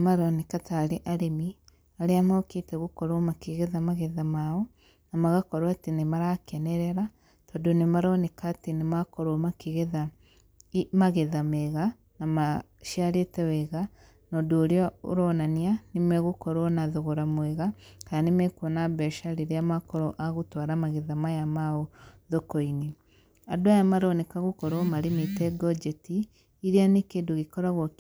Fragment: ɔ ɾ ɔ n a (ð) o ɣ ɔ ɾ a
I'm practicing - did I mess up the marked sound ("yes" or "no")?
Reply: no